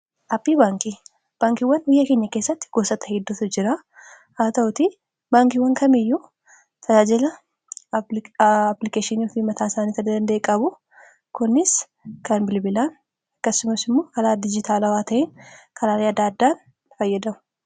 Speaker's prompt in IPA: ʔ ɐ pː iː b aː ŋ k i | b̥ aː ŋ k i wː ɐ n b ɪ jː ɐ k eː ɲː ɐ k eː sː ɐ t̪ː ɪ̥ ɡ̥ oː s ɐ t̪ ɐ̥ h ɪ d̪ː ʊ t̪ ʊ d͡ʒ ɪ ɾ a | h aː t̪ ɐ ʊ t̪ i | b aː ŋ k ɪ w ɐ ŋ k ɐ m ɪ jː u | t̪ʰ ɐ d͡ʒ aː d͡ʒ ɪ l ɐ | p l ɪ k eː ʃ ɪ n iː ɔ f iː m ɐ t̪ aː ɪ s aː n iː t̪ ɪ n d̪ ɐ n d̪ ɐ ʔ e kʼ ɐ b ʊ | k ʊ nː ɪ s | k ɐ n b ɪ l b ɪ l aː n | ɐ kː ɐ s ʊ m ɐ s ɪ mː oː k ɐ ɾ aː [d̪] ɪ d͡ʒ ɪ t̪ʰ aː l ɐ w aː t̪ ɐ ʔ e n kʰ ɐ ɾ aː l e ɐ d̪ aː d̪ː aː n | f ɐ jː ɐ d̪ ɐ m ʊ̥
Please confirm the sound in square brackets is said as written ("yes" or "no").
yes